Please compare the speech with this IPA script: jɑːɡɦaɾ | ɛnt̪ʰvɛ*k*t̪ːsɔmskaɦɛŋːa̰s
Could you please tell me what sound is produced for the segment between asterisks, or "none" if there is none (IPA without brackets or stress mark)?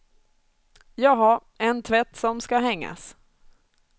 none